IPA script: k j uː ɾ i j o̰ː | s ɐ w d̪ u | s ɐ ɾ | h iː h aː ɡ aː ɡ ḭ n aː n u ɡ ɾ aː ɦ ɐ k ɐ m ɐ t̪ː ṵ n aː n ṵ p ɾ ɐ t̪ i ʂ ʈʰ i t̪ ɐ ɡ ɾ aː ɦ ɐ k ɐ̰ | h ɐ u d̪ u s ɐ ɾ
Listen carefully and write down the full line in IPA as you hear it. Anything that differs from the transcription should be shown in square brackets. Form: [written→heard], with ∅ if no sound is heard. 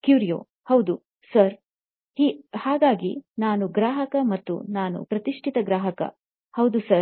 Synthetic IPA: k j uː ɾ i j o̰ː | [s→h] ɐ w d̪ u | s ɐ ɾ | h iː h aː ɡ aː ɡ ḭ n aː n u ɡ ɾ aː ɦ ɐ k ɐ m ɐ t̪ː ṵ n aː n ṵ p ɾ ɐ t̪ i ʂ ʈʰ i t̪ ɐ ɡ ɾ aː ɦ ɐ k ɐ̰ | h ɐ [u→w] d̪ u s ɐ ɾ

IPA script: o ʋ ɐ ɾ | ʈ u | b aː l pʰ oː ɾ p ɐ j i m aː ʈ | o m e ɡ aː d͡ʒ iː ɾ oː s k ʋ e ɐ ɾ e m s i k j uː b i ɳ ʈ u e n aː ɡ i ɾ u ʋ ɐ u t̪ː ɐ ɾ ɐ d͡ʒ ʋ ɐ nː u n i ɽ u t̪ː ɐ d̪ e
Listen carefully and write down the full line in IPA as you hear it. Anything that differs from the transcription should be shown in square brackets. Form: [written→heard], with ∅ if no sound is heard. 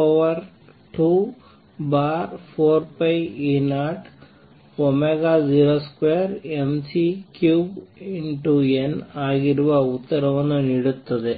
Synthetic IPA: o ʋ ɐ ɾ | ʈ u | b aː [l→ɾ] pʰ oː ɾ p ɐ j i [m→n] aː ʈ | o m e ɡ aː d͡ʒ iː ɾ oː s k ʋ e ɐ ɾ e m s i k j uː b i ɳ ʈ u e n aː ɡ i ɾ u ʋ ɐ u t̪ː ɐ ɾ ɐ [d͡ʒ→∅] ʋ ɐ nː u n i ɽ u t̪ː ɐ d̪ e

